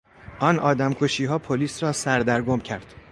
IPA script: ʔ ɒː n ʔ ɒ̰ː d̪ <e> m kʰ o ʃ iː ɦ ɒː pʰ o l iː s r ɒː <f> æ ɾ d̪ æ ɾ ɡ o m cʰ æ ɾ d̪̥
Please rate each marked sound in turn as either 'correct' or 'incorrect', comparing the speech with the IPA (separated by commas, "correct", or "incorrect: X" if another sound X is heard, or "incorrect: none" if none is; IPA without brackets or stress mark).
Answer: incorrect: æ, incorrect: s